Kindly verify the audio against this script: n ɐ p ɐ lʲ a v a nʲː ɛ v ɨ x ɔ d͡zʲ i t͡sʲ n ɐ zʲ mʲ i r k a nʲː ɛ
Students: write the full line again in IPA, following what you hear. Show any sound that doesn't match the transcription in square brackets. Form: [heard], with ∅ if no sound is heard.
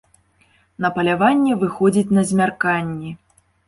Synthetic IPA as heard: n ɐ p ɐ lʲ a v a nʲː ɛ v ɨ x ɔ d͡zʲ i t͡sʲ n ɐ zʲ mʲ [a] r k a nʲː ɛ